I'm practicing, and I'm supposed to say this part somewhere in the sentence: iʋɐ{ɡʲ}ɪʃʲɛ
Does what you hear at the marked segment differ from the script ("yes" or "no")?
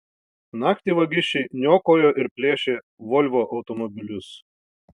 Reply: no